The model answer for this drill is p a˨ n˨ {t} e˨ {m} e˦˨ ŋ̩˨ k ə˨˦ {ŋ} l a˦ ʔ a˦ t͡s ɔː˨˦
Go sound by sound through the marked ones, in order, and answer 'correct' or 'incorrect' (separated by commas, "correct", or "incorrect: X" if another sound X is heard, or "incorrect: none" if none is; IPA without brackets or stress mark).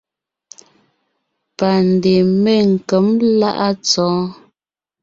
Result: incorrect: d, correct, incorrect: m